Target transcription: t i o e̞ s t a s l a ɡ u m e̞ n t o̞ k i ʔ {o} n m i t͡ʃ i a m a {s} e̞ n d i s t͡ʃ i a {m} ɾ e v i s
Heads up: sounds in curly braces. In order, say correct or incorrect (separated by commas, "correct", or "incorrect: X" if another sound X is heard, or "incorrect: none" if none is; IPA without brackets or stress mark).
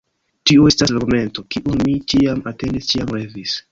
incorrect: u, incorrect: t, correct